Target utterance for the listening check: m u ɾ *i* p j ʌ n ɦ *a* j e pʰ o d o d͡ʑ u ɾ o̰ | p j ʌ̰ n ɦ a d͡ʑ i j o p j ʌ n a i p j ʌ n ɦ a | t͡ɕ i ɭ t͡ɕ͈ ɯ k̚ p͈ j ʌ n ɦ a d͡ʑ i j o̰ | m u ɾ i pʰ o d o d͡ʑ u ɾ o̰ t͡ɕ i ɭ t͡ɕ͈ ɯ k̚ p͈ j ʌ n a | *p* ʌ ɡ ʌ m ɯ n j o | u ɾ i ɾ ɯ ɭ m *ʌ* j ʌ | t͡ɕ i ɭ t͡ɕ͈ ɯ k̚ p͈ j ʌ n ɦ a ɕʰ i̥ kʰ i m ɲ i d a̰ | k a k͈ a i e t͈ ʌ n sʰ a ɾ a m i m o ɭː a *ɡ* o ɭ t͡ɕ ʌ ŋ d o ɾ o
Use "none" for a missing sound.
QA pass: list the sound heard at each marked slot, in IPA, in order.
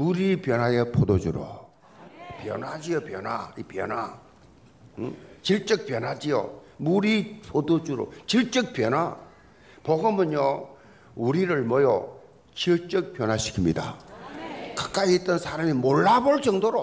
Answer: i, a, p, ʌ, b

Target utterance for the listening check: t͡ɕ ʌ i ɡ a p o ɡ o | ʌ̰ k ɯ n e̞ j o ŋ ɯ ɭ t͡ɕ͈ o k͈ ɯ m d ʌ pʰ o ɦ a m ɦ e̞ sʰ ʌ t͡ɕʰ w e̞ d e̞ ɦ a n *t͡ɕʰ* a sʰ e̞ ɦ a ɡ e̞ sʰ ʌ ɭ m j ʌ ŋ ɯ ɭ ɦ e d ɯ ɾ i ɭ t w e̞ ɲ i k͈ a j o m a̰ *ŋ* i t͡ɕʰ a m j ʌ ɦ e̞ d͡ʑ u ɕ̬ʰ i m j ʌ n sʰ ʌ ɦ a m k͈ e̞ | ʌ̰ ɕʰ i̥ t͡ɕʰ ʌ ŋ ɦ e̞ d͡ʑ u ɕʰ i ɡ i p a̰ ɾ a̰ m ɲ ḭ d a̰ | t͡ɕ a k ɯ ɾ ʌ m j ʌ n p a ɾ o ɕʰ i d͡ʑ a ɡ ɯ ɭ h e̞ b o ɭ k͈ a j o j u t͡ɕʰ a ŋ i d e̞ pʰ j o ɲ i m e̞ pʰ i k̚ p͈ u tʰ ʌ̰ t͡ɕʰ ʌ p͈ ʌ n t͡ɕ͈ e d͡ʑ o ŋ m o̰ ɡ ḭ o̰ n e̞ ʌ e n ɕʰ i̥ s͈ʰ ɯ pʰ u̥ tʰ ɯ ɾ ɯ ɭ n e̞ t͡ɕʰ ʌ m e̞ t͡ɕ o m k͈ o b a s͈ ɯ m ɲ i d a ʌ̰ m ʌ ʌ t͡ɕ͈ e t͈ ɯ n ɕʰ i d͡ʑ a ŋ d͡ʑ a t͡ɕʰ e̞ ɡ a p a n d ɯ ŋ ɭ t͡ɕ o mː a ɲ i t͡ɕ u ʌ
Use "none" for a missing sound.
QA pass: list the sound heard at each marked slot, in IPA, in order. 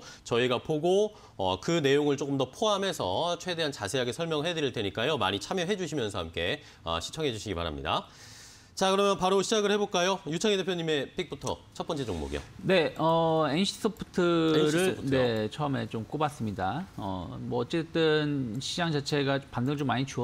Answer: t͡ɕ, ɲ

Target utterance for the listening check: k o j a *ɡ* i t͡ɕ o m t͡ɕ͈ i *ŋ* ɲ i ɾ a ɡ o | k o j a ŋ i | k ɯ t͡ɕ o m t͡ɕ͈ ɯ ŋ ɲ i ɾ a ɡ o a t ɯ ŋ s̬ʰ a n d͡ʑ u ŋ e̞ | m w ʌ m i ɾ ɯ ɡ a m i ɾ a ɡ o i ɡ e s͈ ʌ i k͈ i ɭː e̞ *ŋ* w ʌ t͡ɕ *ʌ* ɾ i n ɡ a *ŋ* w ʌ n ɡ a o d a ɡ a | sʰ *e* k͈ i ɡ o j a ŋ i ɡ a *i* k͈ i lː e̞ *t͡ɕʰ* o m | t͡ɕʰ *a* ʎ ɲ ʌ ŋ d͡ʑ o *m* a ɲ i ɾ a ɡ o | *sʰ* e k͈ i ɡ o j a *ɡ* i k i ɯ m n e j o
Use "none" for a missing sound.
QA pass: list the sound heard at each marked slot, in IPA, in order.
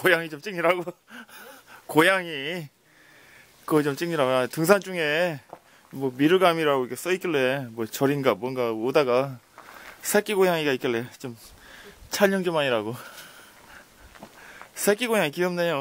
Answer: ŋ, ŋ, m, ʌ, m, e, i, t͡ɕ, a, m, sʰ, ŋ

